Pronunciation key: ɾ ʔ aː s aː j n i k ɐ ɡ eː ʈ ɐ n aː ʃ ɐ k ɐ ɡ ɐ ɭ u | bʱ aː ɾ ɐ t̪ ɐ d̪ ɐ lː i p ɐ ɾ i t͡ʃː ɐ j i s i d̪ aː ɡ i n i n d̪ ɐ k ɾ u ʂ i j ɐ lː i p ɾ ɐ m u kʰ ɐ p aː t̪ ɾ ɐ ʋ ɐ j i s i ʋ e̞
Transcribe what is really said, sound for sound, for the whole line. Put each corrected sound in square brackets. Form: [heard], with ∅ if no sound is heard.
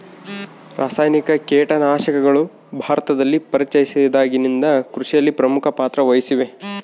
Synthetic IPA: ɾ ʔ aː s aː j n i k ɐ [k] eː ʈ ɐ n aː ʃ ɐ k ɐ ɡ ɐ ɭ u | bʱ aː ɾ ɐ t̪ ɐ d̪ ɐ lː i p ɐ ɾ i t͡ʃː ɐ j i s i d̪ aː ɡ i n i n d̪ ɐ k ɾ u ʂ i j ɐ lː i p ɾ ɐ m u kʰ ɐ p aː t̪ ɾ ɐ ʋ ɐ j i s i ʋ e̞